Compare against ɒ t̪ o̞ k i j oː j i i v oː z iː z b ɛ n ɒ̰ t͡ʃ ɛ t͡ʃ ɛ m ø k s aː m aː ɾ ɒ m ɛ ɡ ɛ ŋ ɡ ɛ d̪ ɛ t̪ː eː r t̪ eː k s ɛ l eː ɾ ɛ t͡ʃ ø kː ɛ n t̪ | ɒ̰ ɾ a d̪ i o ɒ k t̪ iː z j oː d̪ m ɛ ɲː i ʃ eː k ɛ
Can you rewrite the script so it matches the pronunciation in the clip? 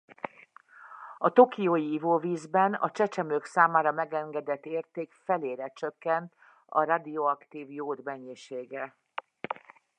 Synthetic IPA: ɒ t̪ o̞ k i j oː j i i v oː v iː z b ɛ n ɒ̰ t͡ʃ ɛ t͡ʃ ɛ m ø k s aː m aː ɾ ɒ m ɛ ɡ ɛ ŋ ɡ ɛ d̪ ɛ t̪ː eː r t̪ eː k f ɛ l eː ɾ ɛ t͡ʃ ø kː ɛ n t̪ | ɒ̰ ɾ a d̪ i o ɒ k t̪ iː v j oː d̪ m ɛ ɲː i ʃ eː ɡ ɛ